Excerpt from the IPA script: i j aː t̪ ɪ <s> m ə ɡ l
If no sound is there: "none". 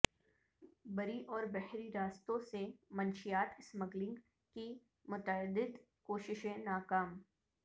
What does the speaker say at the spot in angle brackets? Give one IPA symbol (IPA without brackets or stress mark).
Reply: s